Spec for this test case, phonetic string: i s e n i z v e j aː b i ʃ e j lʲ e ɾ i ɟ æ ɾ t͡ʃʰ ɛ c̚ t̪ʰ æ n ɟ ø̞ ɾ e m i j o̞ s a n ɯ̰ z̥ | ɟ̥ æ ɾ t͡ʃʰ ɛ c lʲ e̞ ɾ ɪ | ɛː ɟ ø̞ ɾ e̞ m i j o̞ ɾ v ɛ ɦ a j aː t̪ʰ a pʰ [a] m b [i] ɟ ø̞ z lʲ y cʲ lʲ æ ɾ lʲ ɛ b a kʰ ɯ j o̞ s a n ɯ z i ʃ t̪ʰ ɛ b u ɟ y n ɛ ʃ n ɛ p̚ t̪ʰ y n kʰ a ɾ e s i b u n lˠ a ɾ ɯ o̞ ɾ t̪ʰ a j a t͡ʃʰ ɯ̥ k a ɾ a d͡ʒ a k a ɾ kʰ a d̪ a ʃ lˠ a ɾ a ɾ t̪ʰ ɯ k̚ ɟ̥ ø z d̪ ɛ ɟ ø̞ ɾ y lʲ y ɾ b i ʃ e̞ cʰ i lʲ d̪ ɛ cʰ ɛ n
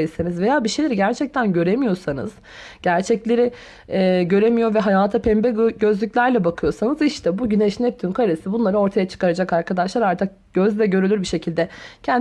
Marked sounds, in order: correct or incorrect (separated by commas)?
incorrect, incorrect